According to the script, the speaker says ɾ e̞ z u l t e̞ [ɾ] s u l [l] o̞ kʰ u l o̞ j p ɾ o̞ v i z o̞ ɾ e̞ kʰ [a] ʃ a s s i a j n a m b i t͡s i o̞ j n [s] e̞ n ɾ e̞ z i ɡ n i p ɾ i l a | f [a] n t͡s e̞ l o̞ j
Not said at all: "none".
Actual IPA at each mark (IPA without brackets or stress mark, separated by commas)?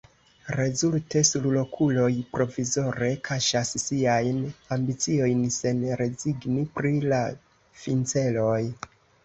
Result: none, l, a, s, i